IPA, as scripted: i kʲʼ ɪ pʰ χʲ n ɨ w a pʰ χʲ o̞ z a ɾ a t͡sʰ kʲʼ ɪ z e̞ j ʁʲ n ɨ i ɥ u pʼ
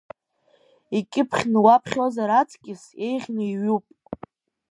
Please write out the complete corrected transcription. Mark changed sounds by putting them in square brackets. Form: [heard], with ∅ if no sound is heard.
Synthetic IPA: i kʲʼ ɪ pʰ χʲ n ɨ w a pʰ χʲ o̞ z a ɾ a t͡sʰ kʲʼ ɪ [s] e̞ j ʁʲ n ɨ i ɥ u pʼ